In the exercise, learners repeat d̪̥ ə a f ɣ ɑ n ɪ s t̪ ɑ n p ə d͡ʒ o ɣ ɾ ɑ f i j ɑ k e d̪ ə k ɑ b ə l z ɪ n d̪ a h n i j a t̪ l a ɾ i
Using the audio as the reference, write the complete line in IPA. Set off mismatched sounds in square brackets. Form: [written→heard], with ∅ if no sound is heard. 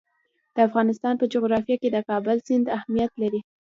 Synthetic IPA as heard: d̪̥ ə a f ɣ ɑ n ɪ s t̪ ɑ n p ə d͡ʒ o ɣ ɾ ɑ f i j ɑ k e d̪ ə k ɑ b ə l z ɪ n d̪ a h [n→m] i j a t̪ l a ɾ i